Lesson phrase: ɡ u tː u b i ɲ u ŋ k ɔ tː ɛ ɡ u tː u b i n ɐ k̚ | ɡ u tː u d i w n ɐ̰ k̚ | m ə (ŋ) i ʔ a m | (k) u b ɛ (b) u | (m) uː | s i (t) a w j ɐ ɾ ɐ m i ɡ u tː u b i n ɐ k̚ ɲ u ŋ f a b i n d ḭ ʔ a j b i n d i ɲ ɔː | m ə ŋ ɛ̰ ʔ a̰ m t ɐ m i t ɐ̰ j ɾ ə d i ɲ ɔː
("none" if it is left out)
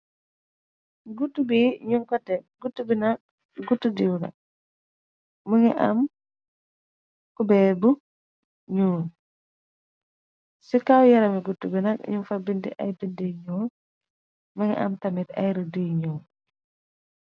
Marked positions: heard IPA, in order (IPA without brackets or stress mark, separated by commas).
ŋ, k, b, ɲ, k